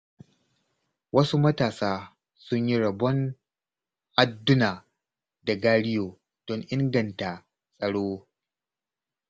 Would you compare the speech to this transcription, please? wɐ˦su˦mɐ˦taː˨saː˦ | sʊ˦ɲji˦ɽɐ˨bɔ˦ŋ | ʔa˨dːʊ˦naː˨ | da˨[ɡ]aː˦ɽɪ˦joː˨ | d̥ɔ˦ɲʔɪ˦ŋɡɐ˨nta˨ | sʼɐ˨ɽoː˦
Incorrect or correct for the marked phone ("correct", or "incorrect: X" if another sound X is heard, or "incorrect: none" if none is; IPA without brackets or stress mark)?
correct